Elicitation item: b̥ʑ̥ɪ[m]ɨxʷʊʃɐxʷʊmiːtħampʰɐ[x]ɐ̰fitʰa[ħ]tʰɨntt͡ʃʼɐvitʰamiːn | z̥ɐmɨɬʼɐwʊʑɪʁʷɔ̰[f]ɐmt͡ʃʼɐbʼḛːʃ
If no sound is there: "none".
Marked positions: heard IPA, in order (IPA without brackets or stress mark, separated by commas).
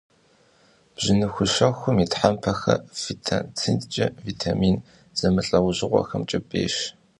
n, x, none, x